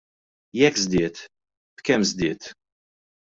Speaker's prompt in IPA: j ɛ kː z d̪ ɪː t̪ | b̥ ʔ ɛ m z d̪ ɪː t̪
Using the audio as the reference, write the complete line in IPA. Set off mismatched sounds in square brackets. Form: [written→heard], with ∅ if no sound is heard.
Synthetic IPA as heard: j ɛ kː z d̪ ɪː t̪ | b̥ [ʔ→k] ɛ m z d̪ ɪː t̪